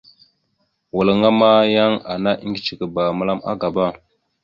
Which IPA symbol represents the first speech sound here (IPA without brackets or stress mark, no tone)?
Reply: w